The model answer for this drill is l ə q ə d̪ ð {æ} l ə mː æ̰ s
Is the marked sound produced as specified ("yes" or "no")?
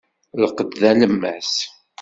yes